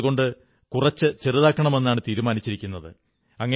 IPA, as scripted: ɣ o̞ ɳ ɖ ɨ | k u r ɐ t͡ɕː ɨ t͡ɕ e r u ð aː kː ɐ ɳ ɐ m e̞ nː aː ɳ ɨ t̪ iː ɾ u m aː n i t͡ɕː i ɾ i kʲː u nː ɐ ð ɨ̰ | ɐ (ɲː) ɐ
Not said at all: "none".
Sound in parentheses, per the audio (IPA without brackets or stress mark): ŋː